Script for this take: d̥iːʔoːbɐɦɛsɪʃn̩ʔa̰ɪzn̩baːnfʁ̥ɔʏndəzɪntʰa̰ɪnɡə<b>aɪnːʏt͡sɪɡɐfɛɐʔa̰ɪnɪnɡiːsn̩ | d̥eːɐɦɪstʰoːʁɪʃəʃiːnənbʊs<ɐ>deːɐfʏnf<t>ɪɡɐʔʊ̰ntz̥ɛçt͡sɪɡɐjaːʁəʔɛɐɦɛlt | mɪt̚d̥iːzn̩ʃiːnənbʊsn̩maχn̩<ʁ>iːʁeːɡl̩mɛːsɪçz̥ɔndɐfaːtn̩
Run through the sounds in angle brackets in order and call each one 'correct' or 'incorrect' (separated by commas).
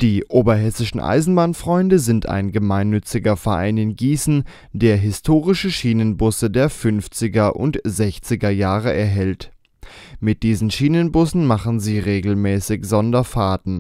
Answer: incorrect, incorrect, incorrect, incorrect